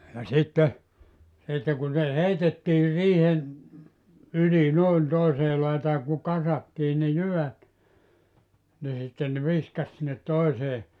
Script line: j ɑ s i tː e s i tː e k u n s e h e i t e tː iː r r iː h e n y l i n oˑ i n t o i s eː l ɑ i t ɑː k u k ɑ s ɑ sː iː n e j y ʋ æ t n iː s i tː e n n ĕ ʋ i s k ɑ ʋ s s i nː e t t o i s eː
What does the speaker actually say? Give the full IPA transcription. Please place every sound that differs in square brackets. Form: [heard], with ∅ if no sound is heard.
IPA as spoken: j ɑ s i tː e s i tː e k u n s e h e i t e tː iː r r iː h e n y l i n oˑ i n t o i s eː l ɑ i t ɑː k u k ɑ s ɑ [tː] iː n e j y ʋ æ t n [i] s i tː e n n ĕ ʋ i s k ɑ [∅] s s i nː e t t o i s eː